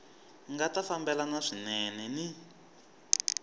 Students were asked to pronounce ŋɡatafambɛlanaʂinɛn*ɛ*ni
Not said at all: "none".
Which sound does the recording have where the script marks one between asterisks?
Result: ɛ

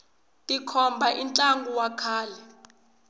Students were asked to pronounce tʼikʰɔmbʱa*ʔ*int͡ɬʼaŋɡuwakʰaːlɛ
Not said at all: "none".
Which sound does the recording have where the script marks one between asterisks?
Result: ʔ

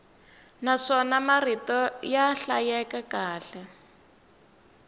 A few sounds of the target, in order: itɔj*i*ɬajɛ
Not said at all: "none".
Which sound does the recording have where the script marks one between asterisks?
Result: a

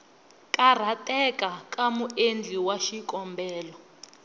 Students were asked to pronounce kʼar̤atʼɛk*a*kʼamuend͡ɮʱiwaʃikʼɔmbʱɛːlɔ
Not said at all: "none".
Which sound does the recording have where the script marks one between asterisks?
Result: a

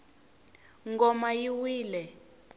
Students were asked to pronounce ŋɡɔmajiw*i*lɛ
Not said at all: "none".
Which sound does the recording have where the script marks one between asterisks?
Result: iː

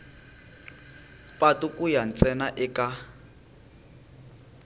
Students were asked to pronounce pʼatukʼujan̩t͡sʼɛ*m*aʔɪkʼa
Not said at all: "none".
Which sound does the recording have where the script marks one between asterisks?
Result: n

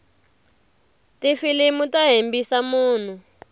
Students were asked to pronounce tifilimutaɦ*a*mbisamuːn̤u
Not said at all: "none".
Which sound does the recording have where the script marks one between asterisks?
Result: e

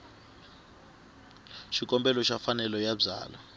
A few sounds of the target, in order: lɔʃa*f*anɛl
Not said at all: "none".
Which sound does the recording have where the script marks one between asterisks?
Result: f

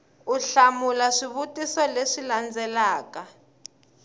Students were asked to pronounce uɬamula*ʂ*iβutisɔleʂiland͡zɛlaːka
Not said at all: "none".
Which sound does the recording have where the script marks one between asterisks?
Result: ʂ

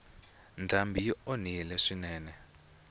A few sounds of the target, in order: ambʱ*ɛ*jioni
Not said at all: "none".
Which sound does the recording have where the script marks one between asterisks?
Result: i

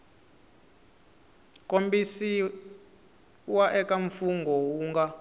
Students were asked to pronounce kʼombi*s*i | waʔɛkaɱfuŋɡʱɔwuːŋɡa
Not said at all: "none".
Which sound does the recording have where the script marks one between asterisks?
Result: s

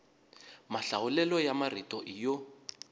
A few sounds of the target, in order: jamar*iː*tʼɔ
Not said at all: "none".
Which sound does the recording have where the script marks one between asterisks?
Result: i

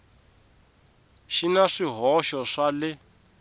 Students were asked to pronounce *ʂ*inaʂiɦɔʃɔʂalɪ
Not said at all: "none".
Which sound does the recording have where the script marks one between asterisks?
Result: ʃ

